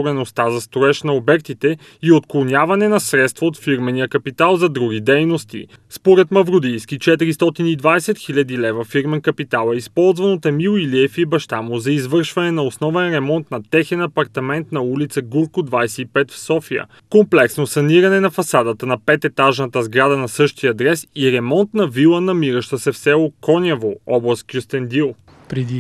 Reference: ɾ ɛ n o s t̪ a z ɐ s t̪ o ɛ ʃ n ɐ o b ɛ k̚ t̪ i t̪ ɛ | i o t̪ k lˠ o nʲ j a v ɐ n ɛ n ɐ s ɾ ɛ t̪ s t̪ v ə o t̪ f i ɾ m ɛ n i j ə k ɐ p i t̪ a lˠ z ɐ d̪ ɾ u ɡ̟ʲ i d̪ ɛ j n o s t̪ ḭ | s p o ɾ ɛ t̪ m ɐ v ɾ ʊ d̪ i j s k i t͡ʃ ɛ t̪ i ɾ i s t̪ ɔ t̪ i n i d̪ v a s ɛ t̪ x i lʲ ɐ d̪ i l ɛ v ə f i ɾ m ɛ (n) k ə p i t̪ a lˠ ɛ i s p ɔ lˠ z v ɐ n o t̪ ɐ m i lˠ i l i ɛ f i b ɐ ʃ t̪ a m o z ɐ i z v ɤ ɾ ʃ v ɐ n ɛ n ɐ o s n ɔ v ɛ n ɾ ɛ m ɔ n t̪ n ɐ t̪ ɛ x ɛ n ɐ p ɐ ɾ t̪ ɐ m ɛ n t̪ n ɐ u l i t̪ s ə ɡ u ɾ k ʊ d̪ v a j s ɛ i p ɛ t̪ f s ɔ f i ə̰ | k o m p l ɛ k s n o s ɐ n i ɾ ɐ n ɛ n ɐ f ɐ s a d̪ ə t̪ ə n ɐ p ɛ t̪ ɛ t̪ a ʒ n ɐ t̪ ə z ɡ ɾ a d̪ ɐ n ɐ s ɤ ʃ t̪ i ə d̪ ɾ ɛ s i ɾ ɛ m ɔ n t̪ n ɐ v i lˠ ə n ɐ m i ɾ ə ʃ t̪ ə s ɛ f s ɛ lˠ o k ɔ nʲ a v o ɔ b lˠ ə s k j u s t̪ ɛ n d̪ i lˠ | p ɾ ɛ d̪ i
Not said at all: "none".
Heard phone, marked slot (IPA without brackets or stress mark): n